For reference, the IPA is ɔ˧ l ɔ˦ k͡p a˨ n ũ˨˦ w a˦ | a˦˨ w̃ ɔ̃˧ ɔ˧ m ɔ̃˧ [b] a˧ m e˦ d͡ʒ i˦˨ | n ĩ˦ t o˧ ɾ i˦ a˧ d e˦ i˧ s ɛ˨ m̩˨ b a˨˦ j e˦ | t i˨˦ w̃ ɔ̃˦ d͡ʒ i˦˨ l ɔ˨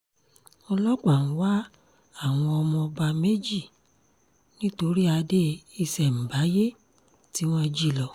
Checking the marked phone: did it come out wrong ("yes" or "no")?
no